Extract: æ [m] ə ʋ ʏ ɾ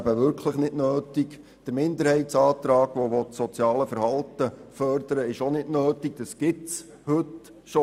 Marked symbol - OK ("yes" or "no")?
no